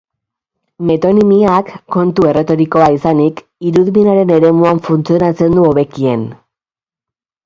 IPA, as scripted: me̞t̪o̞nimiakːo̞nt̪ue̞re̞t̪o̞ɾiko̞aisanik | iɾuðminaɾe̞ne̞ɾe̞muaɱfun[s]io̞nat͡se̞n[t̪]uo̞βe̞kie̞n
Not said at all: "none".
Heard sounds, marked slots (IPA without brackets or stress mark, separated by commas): t͡s, d̪